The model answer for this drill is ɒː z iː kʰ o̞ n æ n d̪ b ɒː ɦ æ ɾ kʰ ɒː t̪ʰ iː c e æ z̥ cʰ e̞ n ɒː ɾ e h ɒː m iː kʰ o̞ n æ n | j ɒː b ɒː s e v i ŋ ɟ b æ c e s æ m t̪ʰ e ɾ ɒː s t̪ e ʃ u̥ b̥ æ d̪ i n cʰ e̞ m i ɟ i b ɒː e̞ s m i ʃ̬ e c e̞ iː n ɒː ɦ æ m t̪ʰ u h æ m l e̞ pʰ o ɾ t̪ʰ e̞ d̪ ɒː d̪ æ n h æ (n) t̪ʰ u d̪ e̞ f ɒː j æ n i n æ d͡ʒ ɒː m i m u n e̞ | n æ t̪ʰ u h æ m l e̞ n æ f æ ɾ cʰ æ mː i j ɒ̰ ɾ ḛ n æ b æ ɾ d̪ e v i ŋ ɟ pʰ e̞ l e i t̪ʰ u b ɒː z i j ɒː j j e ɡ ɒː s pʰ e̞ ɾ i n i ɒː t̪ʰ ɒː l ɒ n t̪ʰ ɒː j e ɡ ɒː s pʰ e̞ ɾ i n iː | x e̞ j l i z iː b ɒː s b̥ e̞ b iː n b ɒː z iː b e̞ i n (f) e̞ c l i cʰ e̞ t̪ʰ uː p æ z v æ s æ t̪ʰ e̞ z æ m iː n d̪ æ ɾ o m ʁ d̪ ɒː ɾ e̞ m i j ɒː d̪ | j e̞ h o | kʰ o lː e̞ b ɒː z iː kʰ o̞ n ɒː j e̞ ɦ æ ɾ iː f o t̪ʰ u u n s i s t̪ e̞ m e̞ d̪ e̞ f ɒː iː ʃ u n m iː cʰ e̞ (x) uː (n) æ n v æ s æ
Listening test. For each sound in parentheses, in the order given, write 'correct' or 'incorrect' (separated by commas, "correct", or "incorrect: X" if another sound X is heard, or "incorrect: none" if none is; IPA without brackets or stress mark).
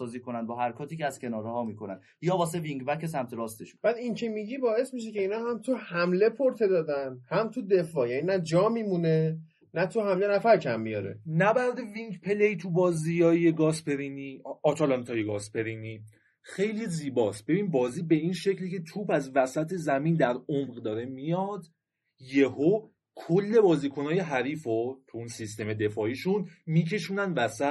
incorrect: m, incorrect: ʃ, incorrect: ʃ, correct